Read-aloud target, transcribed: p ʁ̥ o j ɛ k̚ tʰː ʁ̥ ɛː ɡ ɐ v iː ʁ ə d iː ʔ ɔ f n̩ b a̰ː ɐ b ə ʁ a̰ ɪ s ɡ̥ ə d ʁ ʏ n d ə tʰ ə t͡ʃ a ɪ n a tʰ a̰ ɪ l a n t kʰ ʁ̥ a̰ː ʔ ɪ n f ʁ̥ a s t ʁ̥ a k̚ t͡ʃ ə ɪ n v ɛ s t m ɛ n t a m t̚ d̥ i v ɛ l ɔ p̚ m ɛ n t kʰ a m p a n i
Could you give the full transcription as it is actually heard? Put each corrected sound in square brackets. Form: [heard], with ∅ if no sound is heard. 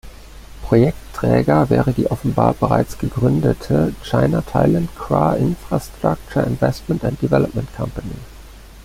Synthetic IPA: p ʁ̥ o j ɛ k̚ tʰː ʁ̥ ɛː ɡ ɐ v [ɛː] ʁ ə d iː ʔ ɔ f n̩ b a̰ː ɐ b ə ʁ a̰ ɪ [t͡s] ɡ̥ ə [ɡ] ʁ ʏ n d ə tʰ ə t͡ʃ a ɪ n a tʰ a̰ ɪ l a n t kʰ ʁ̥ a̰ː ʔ ɪ n f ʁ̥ a s t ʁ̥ a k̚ t͡ʃ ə ɪ n v ɛ s t m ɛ n t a [n] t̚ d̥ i v ɛ l ɔ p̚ m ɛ n t kʰ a m p a n i